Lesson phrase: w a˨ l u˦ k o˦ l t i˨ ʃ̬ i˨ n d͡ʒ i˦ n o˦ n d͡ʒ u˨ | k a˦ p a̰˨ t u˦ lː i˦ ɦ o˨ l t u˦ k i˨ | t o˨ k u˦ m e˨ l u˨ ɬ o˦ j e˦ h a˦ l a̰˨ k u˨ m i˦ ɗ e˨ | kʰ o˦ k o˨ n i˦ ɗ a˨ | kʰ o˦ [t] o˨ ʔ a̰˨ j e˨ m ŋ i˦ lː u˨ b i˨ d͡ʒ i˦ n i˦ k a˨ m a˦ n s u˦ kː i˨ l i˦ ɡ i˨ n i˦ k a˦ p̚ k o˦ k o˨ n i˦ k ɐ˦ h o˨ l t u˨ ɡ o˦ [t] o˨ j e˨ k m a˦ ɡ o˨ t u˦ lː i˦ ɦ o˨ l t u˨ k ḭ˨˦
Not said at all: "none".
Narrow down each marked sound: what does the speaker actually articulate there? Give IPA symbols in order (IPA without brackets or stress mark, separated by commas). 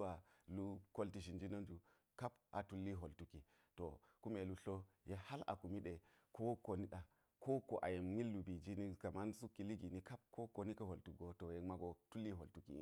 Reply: k, t